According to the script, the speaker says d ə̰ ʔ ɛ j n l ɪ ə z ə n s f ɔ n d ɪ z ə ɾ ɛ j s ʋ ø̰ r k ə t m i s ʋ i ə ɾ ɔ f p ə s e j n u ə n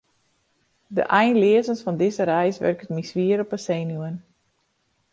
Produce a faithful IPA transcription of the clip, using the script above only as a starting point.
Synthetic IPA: d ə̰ ʔ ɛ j n l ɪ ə z ə n s f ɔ n d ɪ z ə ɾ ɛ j s ʋ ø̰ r k ə t m i s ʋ i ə ɾ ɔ p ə s e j n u ə n